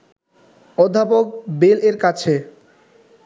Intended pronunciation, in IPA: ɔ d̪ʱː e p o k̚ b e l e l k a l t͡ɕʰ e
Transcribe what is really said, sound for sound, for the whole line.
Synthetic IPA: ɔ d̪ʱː a p o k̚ b e l e ɾ k a t͡ɕʰ e

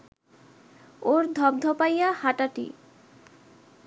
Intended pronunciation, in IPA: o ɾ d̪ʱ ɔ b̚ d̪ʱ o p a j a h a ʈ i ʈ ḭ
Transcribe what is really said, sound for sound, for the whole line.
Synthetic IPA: o ɾ d̪ʱ ɔ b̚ d̪ʱ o p a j a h a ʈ a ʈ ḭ

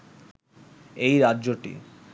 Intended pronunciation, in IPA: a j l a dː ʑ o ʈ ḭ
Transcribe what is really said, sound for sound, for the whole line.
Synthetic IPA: e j ɾ a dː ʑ o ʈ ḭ

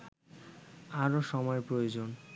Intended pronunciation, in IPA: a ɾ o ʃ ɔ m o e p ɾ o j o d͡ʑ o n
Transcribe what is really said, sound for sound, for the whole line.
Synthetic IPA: a ɾ o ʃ ɔ m ɔ e p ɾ o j o d͡ʑ o n

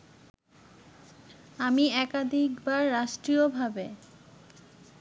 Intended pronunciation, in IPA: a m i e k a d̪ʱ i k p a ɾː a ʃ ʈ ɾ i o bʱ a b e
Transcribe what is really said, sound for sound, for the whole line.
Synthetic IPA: a m i ɛ k a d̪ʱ i k b a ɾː a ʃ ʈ ɾ i o bʱ a b e

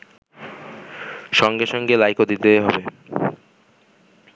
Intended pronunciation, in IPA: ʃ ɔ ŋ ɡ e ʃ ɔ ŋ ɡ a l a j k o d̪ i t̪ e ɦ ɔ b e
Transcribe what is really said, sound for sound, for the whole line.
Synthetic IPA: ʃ ɔ ŋ ɡ e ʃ ɔ ŋ ɡ e l a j k o d̪ i t̪ e ɦ ɔ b e

